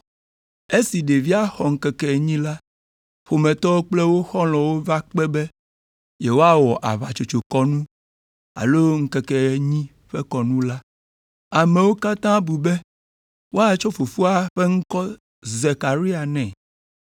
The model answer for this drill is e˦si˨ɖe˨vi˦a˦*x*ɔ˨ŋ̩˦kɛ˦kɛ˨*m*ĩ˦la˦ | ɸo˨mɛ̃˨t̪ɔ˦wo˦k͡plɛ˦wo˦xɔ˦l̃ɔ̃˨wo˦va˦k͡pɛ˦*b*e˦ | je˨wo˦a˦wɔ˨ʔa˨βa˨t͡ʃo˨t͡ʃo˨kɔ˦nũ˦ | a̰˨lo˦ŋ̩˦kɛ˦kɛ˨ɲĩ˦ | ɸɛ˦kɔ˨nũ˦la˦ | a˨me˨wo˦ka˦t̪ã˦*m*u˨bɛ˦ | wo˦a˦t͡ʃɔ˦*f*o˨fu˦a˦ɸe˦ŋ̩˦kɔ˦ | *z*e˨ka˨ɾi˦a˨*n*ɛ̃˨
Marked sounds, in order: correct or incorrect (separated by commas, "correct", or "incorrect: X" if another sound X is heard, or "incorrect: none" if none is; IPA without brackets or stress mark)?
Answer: correct, incorrect: ɲ, correct, incorrect: b, correct, correct, correct